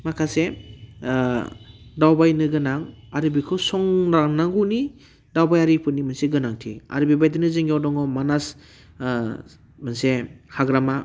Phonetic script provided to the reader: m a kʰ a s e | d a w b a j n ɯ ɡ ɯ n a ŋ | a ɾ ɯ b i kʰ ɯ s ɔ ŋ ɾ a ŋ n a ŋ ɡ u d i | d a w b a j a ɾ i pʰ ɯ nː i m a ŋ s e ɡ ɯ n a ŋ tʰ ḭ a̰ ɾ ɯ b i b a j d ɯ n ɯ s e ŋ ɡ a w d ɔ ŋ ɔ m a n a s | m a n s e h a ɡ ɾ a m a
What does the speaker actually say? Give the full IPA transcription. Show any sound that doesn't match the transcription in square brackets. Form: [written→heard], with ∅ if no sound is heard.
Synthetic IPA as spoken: m a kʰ a s e | d a w b a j n ɯ ɡ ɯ n a ŋ | a ɾ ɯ b i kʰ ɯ s ɔ ŋ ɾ a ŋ n a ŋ ɡ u [d→n] i | d a w b a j a ɾ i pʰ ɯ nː i m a [ŋ→n] s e ɡ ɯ n a ŋ tʰ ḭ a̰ ɾ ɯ b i b a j d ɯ n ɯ [s→z] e ŋ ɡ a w d ɔ ŋ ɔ m a n a s | m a n s e h a ɡ ɾ a m a